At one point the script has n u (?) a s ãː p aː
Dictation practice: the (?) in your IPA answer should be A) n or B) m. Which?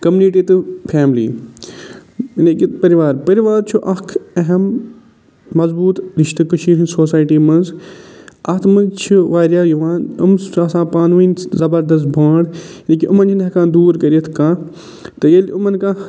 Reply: B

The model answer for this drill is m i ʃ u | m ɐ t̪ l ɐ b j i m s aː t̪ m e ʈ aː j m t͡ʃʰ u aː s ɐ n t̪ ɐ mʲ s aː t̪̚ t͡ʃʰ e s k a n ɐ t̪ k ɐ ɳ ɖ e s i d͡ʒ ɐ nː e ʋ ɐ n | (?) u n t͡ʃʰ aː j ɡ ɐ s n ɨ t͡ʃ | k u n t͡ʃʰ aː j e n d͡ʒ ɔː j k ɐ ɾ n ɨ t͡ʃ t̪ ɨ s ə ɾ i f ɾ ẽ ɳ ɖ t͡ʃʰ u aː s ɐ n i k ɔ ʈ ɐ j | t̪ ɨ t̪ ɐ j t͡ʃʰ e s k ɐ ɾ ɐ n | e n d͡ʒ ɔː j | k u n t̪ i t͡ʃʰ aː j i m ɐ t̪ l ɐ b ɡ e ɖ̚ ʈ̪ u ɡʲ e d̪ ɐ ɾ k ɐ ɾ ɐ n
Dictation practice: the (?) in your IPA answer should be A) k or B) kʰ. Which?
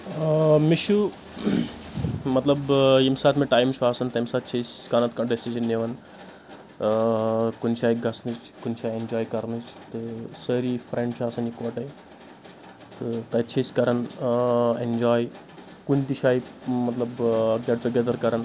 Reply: A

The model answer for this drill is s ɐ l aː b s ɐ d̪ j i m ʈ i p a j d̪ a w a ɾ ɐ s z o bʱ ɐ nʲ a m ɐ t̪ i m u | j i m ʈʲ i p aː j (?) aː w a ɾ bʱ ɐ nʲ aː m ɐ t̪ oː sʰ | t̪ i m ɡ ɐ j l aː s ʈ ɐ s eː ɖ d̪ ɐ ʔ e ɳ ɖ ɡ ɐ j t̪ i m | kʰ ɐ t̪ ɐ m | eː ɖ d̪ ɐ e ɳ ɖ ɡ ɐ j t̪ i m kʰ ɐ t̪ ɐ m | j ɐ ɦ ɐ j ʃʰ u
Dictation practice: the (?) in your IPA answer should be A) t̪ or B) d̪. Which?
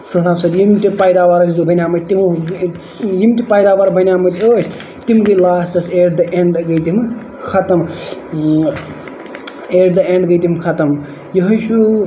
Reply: B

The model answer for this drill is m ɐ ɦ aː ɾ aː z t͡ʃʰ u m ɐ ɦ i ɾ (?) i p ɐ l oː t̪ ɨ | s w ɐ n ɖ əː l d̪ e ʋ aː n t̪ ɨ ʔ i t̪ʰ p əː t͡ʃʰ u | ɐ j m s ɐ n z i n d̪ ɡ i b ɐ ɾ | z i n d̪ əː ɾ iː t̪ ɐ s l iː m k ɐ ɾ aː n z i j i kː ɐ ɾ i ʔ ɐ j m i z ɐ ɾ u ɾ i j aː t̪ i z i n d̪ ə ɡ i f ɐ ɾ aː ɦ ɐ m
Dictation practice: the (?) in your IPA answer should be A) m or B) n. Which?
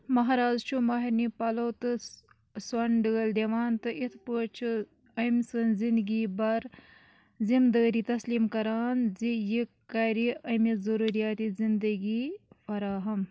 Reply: B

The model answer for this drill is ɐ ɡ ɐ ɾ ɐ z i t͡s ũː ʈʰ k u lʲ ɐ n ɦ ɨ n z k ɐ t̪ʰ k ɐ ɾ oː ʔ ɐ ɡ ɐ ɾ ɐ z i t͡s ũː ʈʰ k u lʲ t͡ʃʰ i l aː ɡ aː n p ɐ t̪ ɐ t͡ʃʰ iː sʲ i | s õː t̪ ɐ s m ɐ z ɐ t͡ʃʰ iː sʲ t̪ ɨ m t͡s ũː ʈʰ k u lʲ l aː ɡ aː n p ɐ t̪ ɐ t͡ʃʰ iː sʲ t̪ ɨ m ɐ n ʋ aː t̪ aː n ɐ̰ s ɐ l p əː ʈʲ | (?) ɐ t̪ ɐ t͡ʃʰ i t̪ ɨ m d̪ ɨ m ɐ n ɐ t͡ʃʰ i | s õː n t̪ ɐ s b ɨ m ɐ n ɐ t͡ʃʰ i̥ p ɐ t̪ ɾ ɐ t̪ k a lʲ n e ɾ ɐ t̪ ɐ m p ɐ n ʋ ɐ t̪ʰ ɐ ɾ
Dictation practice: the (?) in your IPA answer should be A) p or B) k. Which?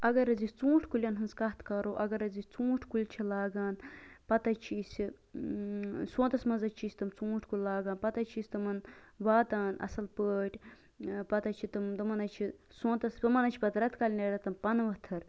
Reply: A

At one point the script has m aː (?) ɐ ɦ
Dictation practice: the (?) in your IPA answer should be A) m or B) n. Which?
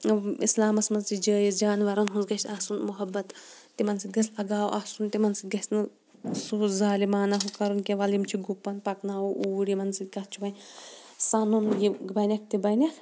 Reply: B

